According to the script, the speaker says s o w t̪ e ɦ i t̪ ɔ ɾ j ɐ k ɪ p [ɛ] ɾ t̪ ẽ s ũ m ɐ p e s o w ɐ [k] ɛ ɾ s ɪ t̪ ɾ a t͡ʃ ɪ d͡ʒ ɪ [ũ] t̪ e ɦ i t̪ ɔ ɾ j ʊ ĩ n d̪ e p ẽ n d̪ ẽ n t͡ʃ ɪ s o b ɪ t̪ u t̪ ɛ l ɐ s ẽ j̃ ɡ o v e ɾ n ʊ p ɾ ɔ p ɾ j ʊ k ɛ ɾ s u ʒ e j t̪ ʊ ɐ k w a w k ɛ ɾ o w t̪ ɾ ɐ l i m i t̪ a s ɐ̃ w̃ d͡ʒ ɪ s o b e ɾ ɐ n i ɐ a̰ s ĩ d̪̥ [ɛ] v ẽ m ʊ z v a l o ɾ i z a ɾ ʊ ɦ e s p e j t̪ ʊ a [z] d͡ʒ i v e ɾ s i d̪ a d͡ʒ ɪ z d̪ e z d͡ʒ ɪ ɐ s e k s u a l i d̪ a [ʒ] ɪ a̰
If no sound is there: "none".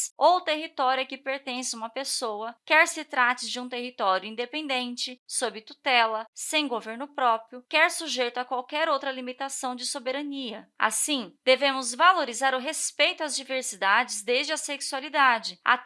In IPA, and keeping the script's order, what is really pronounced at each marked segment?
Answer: e, k, ũ, e, z, d͡ʒ

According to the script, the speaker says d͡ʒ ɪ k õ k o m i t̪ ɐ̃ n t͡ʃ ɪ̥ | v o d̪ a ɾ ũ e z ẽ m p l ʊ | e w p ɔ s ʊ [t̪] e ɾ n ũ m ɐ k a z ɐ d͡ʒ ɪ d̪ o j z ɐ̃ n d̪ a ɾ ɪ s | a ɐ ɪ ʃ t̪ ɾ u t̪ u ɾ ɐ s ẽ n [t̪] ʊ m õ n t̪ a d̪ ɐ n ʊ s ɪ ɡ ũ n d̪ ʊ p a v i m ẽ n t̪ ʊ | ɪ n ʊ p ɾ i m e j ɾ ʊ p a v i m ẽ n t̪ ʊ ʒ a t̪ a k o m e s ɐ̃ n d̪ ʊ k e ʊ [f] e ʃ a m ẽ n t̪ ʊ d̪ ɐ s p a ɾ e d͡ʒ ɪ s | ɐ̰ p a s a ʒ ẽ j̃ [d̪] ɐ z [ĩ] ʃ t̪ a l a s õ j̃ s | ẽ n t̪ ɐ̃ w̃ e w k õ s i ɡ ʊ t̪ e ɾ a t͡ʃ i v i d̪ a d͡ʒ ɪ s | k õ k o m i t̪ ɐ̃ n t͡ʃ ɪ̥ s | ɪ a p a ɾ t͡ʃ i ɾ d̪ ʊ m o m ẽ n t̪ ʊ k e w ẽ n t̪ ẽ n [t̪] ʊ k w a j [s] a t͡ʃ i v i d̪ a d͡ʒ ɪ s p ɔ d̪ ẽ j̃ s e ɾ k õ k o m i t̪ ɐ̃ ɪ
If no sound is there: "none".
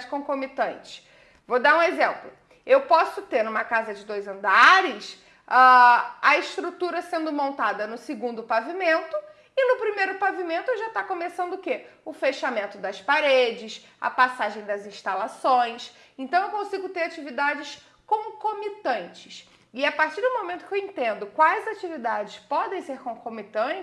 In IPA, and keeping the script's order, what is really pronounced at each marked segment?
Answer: t̪, d̪, f, d̪, ĩ, d̪, z

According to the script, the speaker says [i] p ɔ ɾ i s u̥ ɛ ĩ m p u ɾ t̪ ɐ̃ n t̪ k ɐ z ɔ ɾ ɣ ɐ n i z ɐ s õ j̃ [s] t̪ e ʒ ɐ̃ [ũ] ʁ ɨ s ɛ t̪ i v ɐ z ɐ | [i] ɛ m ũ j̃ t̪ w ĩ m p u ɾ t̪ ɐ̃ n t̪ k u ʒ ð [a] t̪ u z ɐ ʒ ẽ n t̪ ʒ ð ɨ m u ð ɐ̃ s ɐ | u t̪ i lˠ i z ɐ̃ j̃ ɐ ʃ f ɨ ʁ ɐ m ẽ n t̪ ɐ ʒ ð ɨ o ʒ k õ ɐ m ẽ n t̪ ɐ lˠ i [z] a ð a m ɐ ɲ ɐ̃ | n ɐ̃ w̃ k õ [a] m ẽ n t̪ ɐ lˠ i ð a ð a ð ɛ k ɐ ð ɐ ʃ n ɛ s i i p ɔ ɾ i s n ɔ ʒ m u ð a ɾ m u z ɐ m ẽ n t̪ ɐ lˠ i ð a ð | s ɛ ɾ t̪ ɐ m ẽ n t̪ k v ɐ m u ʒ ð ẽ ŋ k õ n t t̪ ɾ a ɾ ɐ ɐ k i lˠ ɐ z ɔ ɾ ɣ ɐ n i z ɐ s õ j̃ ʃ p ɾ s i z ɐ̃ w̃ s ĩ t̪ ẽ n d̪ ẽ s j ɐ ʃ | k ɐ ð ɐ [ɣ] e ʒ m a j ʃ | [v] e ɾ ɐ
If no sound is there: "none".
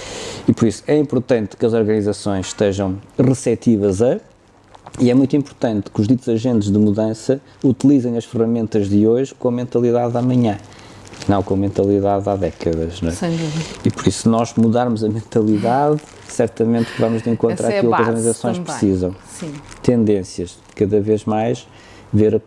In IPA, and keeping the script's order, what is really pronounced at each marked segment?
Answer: i, ʃ, w̃, i, i, ð, ɐ, v, v

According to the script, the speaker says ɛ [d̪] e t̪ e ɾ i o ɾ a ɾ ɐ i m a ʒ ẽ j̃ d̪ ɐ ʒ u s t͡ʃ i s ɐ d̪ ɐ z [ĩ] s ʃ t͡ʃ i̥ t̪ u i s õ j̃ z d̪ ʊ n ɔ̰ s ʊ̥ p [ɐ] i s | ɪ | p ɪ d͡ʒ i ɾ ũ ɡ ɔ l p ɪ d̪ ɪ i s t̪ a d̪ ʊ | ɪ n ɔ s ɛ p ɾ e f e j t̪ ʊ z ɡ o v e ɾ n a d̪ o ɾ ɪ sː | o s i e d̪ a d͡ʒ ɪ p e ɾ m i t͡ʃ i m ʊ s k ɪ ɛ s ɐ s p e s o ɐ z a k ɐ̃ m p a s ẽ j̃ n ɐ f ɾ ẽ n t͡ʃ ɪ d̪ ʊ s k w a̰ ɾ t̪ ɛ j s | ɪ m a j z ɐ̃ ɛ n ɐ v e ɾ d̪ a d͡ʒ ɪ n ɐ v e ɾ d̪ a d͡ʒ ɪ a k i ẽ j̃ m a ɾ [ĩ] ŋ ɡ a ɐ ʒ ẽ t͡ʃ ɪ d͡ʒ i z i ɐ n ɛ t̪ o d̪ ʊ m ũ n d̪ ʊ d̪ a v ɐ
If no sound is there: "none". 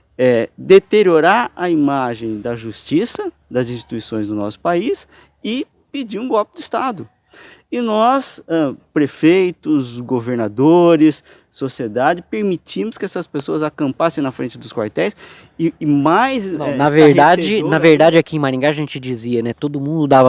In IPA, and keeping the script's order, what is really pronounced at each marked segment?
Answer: d̪, ĩ, a, ĩ

